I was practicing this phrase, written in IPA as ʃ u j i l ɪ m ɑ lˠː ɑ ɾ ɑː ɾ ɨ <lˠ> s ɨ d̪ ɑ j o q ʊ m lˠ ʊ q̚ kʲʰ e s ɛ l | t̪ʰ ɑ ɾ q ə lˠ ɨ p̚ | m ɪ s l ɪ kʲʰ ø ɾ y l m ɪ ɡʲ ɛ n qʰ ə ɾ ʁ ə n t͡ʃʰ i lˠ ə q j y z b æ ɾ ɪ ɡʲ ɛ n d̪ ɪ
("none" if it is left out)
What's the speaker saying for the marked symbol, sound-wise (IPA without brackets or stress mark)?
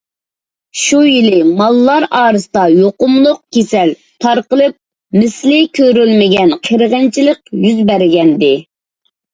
none